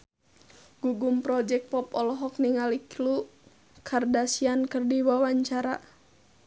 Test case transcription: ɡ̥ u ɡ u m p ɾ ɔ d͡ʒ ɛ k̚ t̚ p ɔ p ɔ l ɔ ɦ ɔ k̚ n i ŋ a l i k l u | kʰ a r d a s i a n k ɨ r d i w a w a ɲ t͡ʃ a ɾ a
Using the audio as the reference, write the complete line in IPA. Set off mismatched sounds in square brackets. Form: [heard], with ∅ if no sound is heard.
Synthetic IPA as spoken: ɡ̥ u ɡ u m p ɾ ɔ d͡ʒ ɛ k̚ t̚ p ɔ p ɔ l ɔ ɦ ɔ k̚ n i ŋ a l i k l u | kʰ a r d a s i a n k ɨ r d i w a w a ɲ t͡ʃ a ɾ a